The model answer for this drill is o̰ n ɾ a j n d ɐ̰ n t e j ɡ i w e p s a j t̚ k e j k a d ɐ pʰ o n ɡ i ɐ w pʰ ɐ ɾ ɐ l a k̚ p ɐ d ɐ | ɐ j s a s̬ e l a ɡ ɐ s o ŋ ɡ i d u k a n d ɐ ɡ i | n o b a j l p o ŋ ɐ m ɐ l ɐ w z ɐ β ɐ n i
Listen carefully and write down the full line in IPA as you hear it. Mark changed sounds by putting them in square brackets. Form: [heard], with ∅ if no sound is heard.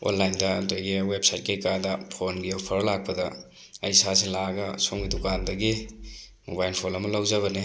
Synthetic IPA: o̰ n [l] a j n d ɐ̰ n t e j ɡ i w e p s a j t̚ k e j k a d ɐ pʰ o n ɡ i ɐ w pʰ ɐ ɾ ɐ l a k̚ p ɐ d ɐ | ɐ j s a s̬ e l a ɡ ɐ s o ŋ ɡ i d u k a n d ɐ ɡ i | [m] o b a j l [pʰ] o [n] ɐ m ɐ l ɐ w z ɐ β ɐ n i